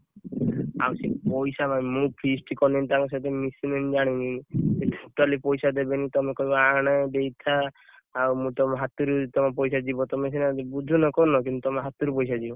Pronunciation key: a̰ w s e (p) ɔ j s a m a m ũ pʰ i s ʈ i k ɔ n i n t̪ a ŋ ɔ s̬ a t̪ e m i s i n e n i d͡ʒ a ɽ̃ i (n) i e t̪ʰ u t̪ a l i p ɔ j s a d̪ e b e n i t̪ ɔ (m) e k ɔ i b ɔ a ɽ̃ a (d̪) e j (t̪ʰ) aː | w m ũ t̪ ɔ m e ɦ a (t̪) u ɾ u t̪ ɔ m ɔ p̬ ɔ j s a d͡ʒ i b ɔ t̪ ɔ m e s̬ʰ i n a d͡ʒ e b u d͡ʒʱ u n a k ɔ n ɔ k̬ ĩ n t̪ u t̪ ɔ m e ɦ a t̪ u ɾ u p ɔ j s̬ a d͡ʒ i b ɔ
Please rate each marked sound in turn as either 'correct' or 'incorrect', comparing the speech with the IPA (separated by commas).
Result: correct, correct, correct, correct, correct, correct